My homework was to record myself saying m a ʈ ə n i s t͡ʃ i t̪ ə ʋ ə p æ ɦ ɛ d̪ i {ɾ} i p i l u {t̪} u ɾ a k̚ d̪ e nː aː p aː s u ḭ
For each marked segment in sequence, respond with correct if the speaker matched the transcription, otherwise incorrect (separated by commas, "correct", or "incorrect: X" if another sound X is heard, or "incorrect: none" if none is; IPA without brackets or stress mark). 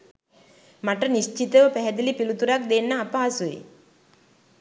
incorrect: l, correct